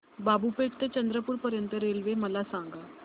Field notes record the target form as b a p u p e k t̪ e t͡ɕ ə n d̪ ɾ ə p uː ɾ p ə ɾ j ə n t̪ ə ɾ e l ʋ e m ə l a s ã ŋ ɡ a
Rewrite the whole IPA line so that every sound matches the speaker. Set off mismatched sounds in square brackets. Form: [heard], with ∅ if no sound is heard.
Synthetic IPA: b a [b] u p e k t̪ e t͡ɕ ə n d̪ ɾ ə p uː ɾ p ə ɾ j ə n t̪ ə ɾ e l ʋ e m ə l a s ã ŋ ɡ a